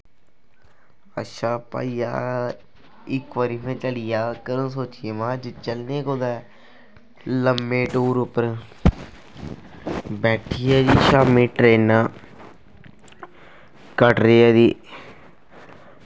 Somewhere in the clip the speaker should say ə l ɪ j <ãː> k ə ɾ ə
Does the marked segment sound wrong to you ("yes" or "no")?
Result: yes